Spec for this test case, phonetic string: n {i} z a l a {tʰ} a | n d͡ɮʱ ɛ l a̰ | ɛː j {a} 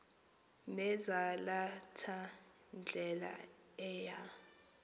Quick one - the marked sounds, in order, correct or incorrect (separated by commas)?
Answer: incorrect, correct, correct